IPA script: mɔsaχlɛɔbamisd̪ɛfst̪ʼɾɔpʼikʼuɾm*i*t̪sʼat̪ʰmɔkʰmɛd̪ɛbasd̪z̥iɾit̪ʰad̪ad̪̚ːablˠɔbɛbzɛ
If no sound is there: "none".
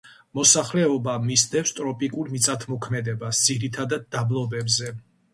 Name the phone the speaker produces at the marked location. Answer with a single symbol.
i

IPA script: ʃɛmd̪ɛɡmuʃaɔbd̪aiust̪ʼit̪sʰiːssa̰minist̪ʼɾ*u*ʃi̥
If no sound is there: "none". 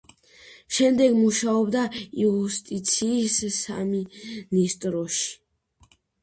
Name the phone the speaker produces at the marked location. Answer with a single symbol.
ɔ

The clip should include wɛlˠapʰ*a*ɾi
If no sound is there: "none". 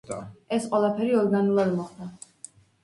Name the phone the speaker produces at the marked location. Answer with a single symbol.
ɛ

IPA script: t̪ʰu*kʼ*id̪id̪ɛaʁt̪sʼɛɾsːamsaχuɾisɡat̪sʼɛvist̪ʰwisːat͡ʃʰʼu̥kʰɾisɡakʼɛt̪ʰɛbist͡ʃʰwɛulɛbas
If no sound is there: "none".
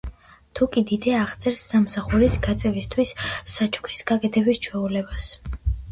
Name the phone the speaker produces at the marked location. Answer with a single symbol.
kʼ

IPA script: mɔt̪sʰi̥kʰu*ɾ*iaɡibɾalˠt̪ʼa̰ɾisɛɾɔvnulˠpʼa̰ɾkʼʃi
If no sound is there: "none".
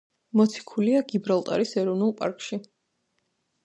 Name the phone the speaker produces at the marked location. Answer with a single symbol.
l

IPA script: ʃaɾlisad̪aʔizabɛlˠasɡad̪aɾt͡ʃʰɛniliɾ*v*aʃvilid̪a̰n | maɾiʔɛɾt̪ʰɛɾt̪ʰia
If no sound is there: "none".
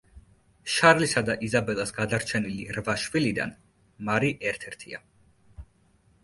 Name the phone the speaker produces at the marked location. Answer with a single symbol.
v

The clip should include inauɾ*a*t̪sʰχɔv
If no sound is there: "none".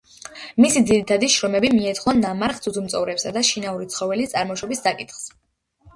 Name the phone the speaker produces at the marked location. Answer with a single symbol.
i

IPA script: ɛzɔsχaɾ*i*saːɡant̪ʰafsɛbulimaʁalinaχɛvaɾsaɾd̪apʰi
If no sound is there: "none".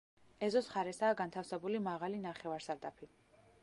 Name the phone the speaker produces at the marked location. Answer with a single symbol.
ɛ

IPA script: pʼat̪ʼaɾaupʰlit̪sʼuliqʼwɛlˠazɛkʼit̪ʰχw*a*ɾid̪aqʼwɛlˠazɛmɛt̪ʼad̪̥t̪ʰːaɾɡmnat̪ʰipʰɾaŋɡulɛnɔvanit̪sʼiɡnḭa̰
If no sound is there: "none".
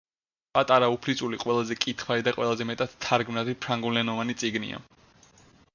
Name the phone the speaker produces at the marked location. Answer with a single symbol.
a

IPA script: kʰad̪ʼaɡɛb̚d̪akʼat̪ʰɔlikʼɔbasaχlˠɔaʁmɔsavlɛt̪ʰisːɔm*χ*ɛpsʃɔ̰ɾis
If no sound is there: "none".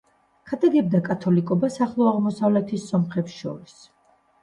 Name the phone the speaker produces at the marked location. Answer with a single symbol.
χ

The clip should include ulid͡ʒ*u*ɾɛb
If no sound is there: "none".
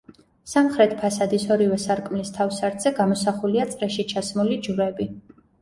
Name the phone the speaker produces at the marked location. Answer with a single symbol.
u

